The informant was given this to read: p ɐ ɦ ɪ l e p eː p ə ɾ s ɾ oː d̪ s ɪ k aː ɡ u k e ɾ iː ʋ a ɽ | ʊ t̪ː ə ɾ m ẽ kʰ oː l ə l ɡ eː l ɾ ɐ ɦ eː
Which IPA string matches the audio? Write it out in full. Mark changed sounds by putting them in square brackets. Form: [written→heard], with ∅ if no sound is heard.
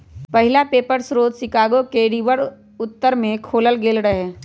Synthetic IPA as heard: p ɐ ɦ ɪ l [e→a] p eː p ə ɾ s ɾ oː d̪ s ɪ k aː ɡ [u→o] k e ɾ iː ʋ [a→ə] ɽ | ʊ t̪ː ə ɾ m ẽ kʰ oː l ə l ɡ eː l ɾ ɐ ɦ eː